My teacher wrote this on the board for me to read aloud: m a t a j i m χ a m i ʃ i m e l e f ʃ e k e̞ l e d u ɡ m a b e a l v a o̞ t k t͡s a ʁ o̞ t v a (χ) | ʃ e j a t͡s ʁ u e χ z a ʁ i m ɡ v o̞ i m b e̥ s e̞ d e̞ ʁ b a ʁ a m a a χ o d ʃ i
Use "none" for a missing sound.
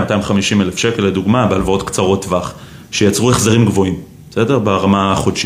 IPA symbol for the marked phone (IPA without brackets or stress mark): χ